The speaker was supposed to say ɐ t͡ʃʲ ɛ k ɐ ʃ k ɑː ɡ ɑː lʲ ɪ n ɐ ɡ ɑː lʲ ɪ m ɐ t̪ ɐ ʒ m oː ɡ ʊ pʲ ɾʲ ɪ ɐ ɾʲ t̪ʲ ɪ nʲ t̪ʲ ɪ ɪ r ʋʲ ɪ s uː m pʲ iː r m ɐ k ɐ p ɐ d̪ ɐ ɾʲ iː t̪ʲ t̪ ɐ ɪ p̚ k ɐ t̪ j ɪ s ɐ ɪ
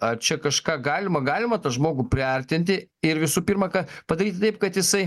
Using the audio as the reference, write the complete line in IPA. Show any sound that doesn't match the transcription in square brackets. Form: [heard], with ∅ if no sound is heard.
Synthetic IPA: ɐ t͡ʃʲ ɛ k ɐ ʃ k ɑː ɡ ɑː lʲ ɪ [m] ɐ ɡ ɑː lʲ ɪ m ɐ t̪ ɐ ʒ m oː ɡ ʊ pʲ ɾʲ ɪ ɐ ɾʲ t̪ʲ ɪ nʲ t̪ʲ ɪ ɪ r ʋʲ ɪ s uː [∅] pʲ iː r m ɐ k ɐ p ɐ d̪ ɐ ɾʲ iː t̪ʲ t̪ ɐ ɪ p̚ k ɐ t̪ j ɪ s ɐ ɪ